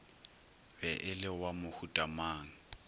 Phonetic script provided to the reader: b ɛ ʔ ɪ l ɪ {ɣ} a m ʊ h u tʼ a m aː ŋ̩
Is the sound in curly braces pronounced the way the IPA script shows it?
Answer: no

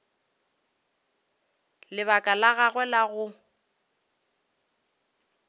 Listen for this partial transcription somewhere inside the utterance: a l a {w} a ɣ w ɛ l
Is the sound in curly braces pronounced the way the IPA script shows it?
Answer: no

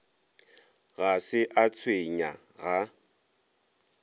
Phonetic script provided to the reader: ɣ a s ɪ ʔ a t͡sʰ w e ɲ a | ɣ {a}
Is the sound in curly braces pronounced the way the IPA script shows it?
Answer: yes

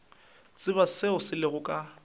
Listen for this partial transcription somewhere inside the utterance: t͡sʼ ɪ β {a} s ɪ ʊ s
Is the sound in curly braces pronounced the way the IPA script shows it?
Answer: yes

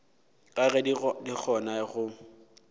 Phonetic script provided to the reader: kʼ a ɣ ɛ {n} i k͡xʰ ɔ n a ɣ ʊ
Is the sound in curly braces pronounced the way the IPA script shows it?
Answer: no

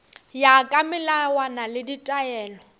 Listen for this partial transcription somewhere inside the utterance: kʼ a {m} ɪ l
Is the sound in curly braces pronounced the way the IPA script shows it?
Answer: yes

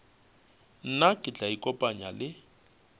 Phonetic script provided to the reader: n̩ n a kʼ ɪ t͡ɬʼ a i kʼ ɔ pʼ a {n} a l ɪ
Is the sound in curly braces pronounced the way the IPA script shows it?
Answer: no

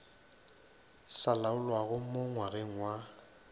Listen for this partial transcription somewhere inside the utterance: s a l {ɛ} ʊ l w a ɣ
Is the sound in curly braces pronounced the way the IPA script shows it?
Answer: no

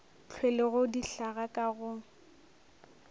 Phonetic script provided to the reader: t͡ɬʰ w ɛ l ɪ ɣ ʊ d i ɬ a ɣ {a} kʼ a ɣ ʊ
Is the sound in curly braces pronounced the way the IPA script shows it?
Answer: yes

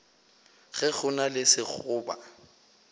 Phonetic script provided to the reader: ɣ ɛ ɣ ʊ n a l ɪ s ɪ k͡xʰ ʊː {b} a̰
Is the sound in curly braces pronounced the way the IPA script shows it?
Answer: yes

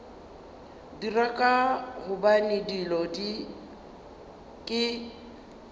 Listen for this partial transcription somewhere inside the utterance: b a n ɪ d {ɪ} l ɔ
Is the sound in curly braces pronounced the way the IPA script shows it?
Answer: no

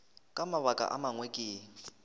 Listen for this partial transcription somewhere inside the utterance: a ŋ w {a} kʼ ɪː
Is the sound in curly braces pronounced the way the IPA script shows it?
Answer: no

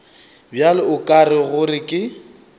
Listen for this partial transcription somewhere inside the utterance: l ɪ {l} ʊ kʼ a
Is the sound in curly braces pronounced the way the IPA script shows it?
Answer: no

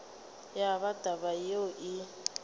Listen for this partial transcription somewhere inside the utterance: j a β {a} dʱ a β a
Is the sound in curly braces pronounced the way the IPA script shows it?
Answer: yes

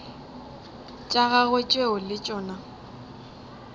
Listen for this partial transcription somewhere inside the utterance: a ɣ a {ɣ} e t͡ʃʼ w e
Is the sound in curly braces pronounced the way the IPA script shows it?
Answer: yes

